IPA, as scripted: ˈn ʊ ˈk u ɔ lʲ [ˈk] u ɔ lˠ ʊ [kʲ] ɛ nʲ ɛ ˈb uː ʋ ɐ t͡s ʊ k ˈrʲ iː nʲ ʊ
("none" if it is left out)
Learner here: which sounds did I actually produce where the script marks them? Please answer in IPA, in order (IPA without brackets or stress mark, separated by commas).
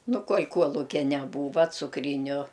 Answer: k, kʲ